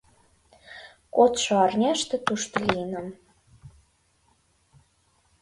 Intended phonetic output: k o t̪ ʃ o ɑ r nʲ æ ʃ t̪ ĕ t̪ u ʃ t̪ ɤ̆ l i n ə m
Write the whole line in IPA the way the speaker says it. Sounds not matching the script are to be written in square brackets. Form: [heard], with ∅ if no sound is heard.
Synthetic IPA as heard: k o t̪ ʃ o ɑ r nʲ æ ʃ t̪ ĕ t̪ u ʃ t̪ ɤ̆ l i n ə m